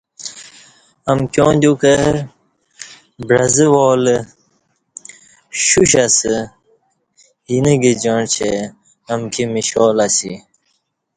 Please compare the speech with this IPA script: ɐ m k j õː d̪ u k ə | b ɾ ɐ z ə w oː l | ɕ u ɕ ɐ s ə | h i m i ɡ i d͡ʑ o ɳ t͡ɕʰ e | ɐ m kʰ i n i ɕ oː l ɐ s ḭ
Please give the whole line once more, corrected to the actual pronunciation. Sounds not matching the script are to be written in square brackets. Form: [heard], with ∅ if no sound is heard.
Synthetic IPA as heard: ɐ m k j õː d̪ u k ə | b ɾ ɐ z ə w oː l | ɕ u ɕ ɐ s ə | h i [n] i ɡ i d͡ʑ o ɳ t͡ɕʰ e | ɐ m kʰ i [m] i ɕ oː l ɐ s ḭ